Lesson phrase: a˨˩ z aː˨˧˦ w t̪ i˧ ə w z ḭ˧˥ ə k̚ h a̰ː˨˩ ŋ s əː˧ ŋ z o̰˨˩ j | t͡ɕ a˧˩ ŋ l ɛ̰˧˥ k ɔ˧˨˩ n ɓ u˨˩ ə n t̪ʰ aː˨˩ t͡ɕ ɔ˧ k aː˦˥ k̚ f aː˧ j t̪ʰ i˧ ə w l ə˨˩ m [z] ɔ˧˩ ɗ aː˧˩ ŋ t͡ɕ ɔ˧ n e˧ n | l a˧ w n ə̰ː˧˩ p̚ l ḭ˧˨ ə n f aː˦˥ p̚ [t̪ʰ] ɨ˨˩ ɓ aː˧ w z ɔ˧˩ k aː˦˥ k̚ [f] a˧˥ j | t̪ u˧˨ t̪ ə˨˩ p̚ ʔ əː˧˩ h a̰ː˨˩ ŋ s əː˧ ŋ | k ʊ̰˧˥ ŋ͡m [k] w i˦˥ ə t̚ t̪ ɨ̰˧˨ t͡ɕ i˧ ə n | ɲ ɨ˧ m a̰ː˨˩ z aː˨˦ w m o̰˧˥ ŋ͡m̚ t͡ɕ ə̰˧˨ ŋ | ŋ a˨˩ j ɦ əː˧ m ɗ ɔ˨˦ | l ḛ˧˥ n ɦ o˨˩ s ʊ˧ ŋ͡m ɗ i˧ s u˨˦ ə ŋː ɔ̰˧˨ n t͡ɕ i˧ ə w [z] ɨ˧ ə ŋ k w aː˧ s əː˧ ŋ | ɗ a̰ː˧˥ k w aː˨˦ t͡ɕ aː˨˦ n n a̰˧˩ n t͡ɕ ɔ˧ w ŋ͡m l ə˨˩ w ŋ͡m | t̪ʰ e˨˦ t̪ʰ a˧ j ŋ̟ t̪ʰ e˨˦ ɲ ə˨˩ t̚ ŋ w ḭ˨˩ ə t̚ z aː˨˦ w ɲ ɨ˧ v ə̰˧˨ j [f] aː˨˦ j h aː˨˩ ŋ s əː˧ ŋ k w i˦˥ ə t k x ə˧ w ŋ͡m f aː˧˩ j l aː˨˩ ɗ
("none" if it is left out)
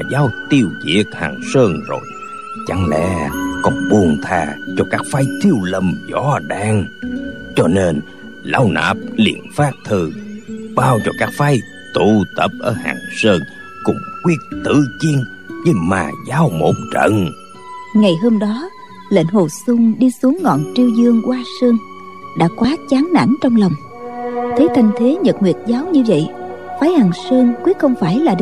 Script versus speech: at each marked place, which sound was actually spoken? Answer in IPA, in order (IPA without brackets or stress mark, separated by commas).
z, t̪ʰ, f, k, z, f